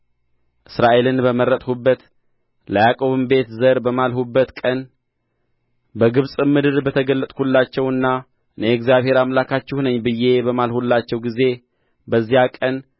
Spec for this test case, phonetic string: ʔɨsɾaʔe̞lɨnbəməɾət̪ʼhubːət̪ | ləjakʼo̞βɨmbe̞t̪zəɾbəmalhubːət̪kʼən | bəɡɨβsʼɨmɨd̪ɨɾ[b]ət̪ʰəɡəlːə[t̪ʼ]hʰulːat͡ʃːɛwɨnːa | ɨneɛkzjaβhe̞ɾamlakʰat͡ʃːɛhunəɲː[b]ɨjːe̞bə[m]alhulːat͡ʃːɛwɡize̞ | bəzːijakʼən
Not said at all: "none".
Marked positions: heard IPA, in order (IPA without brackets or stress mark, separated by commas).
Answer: b, t̪ʼ, b, m